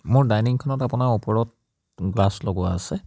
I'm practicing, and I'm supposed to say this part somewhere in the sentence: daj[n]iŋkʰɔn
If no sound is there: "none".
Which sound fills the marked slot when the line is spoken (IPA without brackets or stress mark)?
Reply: n